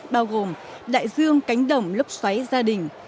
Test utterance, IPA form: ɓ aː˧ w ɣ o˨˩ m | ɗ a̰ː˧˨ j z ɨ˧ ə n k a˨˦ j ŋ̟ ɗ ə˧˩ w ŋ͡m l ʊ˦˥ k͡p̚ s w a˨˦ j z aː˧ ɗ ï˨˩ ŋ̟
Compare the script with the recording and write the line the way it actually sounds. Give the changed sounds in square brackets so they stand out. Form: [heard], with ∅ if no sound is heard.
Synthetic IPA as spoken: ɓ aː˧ w ɣ o˨˩ m | ɗ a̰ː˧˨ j z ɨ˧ ə [ŋ] k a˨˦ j ŋ̟ ɗ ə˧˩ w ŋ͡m l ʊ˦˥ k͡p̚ s w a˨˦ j z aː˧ ɗ ï˨˩ ŋ̟